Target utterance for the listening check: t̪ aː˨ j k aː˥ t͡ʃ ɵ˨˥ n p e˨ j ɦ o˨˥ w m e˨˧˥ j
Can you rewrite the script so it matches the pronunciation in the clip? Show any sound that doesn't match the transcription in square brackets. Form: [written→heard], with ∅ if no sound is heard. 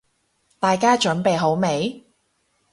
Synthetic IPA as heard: t̪ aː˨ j k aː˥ t͡ʃ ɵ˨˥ n p e˨ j ɦ o˨˥ w m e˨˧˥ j